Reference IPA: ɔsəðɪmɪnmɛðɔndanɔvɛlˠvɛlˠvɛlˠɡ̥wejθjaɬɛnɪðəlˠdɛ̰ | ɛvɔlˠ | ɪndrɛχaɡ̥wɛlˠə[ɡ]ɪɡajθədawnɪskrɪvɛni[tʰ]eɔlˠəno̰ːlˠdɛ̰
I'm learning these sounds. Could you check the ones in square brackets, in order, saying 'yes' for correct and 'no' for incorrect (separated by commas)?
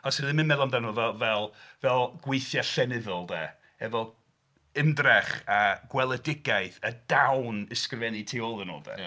no, yes